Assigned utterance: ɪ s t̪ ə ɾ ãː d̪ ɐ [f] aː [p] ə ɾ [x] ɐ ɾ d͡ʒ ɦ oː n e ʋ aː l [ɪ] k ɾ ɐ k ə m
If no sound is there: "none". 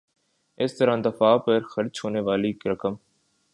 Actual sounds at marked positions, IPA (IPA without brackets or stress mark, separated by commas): f, p, x, i